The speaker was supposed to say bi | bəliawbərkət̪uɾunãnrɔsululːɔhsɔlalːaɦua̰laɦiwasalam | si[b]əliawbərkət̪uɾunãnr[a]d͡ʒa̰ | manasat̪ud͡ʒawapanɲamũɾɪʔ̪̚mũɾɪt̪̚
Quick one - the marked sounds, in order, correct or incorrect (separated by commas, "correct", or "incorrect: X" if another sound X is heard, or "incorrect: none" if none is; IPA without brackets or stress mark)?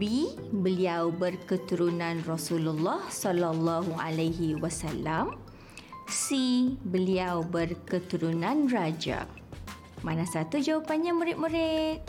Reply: correct, correct